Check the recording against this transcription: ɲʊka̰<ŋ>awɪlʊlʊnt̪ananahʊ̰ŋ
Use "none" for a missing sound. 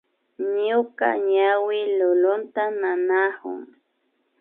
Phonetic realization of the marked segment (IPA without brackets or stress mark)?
ɲ